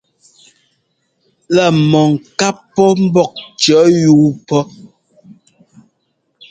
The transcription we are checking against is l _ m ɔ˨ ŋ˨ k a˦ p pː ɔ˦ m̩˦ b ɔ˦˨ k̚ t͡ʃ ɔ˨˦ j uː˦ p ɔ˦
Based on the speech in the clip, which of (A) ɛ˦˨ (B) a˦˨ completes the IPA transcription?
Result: B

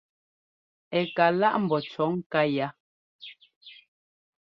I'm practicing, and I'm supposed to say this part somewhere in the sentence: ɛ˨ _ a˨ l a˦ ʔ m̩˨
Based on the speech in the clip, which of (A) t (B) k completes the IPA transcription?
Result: B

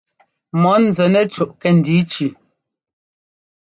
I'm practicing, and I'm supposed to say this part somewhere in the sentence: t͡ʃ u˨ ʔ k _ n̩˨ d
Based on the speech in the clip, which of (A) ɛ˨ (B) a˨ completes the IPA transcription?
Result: A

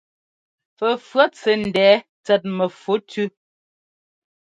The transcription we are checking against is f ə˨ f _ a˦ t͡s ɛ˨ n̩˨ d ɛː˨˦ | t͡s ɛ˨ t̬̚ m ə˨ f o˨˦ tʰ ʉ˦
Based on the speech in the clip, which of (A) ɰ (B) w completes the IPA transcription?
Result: A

